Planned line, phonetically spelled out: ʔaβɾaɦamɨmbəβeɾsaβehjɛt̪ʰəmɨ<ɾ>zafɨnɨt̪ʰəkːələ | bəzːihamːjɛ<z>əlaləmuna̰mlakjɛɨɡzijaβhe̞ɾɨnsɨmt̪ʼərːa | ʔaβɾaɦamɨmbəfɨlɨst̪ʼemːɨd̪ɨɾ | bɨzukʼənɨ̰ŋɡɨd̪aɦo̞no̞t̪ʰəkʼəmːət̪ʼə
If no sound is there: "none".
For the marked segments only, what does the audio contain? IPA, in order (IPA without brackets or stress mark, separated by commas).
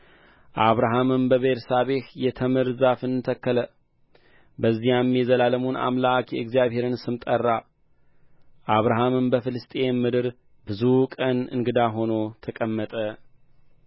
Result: ɾ, z